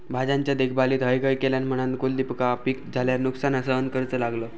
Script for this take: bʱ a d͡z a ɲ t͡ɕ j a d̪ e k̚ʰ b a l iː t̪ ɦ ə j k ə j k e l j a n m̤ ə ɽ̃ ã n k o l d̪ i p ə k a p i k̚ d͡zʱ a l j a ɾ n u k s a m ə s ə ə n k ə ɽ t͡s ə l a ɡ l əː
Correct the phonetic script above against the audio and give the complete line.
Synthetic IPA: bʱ a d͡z a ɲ t͡ɕ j a d̪ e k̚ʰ b a l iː t̪ ɦ ə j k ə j k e l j a n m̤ ə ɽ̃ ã n k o l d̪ i p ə k a p i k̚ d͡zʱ a l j a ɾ n u k s a n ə s ə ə n k ə ɾ t͡s ə l a ɡ l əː